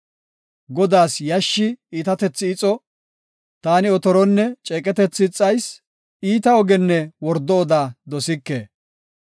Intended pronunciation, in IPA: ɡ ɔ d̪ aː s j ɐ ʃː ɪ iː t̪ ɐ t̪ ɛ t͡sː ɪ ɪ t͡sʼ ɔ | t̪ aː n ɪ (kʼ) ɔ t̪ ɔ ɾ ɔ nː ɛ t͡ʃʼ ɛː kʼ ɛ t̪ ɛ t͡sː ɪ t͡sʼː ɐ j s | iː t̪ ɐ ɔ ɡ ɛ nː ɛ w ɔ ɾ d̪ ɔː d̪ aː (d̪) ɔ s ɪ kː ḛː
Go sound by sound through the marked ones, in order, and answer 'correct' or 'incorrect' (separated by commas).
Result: incorrect, correct